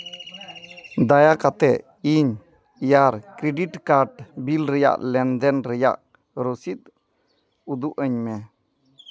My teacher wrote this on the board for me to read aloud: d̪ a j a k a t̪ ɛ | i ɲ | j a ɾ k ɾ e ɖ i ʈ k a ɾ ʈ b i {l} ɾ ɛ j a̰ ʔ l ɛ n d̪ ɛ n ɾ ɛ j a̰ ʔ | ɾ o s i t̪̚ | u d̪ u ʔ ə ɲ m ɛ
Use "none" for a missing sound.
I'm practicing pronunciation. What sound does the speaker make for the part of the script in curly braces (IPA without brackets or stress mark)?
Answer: l